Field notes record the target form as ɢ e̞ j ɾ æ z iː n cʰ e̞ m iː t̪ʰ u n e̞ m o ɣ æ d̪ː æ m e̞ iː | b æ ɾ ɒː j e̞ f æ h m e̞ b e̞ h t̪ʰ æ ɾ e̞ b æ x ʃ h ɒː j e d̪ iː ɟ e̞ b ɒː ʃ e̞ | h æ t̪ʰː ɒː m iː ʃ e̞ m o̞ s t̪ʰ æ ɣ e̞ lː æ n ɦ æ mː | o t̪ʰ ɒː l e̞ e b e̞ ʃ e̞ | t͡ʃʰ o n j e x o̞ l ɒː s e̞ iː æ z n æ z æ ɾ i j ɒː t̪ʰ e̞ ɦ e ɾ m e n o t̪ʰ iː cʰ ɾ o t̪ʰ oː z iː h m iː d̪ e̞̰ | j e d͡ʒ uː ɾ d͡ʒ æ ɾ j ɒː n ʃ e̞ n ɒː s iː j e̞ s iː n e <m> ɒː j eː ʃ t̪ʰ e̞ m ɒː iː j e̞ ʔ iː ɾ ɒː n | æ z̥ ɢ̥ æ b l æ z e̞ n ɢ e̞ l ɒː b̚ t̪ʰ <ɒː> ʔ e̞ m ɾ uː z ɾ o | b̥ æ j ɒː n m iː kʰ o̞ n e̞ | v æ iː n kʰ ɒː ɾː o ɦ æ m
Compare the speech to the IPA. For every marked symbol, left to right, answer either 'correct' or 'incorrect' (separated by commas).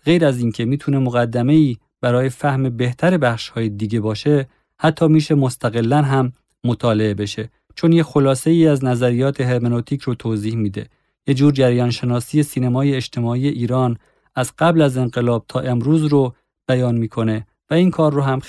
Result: correct, correct